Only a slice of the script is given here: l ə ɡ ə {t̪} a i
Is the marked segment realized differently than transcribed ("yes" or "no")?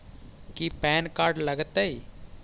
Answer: no